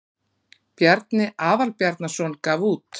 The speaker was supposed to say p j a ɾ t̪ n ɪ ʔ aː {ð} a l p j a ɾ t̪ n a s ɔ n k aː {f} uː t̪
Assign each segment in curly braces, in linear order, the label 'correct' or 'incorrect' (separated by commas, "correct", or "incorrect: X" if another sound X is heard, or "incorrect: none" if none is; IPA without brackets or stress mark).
incorrect: v, incorrect: v